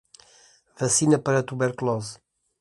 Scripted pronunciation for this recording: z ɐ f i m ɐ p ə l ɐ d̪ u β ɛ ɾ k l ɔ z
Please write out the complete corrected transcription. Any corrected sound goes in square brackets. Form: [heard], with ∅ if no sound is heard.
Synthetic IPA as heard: [v] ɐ [s] i [n] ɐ p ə [ɾ] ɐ [t̪] u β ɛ ɾ k l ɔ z